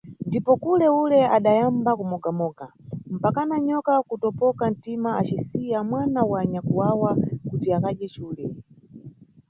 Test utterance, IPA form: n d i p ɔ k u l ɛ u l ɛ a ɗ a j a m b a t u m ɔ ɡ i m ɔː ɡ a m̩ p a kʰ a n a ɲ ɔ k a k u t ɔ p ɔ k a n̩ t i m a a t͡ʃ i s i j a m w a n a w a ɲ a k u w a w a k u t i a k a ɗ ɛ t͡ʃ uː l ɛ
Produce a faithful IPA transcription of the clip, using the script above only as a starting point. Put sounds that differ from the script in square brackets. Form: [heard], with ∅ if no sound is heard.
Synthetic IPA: n d i p ɔ k u l ɛ u l ɛ a ɗ a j a m b a [k] u m ɔ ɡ [a] m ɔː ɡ a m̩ p a [k] a n a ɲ ɔ k a k u t ɔ p ɔ k a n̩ t i m a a t͡ʃ i s i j a m w a n a w a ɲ a k u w a w a k u t i a k a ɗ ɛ t͡ʃ uː l ɛ